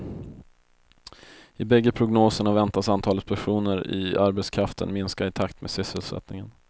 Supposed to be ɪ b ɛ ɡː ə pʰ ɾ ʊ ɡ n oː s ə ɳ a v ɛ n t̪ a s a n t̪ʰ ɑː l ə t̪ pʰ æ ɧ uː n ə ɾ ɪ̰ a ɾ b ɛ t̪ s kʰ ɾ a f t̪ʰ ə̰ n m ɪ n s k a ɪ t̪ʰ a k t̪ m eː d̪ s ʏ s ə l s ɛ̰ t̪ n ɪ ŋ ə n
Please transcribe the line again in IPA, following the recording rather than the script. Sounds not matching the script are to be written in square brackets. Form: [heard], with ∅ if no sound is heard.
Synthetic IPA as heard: ɪ b ɛ ɡː ə pʰ ɾ ʊ ɡ n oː s ə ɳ a v ɛ n t̪ a s a n t̪ʰ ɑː l ə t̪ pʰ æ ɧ uː n ə ɾ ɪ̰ a ɾ b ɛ t̪ s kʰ ɾ a f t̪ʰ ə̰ n m ɪ n s k a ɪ t̪ʰ a k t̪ m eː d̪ s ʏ s ə l s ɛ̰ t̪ n ɪ ŋ ə n